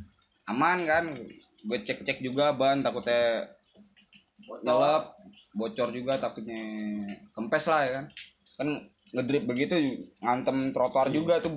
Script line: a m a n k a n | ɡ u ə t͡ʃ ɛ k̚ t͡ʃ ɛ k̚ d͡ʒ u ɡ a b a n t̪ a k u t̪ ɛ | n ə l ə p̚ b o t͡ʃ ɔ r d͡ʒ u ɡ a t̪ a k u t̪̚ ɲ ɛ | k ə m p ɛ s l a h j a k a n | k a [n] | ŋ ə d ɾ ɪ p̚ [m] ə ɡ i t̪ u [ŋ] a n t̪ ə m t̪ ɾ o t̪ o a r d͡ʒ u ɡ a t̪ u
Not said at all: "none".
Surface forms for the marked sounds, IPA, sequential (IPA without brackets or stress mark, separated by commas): n, b, ŋ